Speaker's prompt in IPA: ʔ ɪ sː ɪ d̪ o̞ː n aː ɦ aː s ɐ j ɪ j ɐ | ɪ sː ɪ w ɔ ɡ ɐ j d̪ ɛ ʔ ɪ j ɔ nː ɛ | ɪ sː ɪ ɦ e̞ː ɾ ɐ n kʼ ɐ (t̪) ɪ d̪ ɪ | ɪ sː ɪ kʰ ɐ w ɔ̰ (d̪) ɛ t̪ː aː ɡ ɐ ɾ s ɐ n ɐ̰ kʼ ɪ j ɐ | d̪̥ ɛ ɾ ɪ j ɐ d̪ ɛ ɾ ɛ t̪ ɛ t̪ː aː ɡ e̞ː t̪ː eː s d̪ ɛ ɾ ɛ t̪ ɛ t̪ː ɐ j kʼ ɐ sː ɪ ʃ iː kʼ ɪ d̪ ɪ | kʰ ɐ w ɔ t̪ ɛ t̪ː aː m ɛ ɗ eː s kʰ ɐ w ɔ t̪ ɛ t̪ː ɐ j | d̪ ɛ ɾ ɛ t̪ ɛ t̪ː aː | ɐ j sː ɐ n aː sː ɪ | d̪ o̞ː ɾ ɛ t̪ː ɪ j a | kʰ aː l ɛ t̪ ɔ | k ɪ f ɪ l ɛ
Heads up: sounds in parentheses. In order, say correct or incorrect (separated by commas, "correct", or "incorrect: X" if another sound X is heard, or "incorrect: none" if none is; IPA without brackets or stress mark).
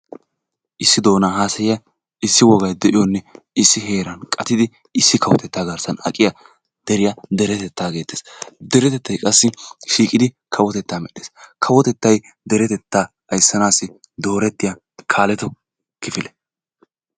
correct, incorrect: t̪